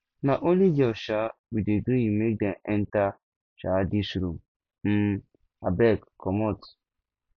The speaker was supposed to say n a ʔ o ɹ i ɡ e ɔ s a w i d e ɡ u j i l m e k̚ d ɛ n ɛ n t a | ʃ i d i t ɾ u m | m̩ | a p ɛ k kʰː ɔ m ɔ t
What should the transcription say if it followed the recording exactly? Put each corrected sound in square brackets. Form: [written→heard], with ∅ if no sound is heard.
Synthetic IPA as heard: n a ʔ o [ɹ→l] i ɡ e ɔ [s→ʃ] a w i d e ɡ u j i [l→∅] m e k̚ d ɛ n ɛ n t a | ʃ [i→a] d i [t→s] ɾ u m | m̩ | a [p→b] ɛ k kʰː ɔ m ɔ t